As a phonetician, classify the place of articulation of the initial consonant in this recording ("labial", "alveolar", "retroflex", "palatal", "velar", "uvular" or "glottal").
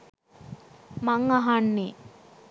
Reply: labial